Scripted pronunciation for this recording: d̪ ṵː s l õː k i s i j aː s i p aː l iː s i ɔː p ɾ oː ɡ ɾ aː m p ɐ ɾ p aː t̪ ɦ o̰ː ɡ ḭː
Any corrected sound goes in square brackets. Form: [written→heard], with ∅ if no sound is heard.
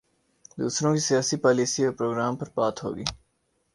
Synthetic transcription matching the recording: d̪ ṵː s [l→ɾ] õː k i s i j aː s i p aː l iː s i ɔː p ɾ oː ɡ ɾ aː m p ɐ ɾ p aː t̪ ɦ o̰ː ɡ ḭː